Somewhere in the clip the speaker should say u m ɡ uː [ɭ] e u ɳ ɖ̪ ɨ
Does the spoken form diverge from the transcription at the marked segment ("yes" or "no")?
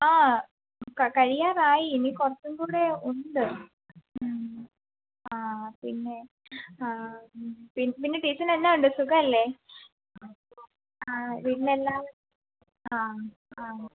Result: yes